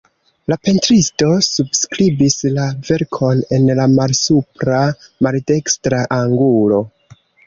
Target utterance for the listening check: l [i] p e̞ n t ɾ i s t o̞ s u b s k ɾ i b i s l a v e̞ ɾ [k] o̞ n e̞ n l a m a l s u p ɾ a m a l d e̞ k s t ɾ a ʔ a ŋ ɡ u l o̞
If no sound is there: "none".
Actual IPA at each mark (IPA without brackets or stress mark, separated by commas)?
a, kʰ